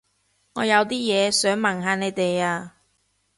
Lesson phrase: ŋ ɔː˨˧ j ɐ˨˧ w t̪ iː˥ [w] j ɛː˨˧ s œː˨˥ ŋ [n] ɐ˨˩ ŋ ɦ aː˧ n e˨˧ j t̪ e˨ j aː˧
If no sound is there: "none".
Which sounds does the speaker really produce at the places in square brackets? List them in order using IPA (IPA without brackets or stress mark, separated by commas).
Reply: none, m